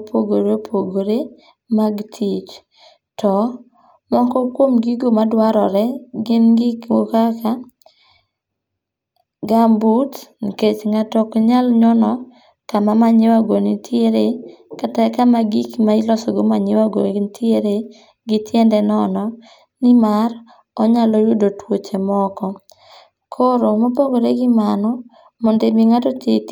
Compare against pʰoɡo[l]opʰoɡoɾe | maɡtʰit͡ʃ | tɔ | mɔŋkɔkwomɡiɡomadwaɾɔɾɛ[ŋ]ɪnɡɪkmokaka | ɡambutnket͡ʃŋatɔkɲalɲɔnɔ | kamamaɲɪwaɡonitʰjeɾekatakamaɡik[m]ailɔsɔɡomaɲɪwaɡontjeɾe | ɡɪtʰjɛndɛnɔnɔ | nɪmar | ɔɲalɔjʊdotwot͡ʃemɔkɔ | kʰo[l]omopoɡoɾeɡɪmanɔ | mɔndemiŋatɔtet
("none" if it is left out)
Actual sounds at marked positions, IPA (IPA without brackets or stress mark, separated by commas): ɾ, ɡ, m, ɾ